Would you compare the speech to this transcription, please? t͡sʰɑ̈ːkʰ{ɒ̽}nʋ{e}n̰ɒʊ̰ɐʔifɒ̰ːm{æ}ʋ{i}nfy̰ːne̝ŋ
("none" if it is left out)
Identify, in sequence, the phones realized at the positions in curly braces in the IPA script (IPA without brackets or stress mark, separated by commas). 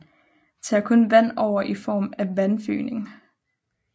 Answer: ɔ̽, æ, æ, æ